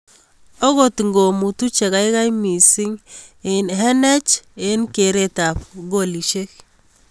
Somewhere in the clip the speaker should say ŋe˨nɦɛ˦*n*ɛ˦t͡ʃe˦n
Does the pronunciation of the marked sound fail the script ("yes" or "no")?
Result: no